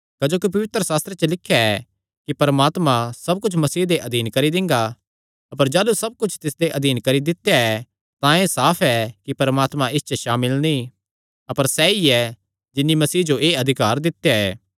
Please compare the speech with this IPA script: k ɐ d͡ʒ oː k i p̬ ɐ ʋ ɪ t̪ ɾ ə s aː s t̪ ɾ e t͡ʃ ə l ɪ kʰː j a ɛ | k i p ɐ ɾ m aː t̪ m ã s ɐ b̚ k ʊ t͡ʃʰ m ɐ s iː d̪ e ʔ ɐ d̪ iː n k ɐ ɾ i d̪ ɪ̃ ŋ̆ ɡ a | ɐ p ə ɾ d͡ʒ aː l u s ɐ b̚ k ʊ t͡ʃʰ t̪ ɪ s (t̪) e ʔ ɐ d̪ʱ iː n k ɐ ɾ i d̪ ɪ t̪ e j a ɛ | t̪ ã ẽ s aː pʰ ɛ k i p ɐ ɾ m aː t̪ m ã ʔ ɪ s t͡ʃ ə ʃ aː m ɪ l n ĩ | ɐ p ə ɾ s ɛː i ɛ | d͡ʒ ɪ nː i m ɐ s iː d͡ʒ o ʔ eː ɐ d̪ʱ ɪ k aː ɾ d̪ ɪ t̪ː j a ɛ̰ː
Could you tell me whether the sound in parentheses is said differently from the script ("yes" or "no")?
yes